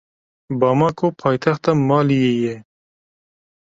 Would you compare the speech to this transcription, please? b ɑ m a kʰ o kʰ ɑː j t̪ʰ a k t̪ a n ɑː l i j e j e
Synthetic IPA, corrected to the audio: b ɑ m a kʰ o pʰ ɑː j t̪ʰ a x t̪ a m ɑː l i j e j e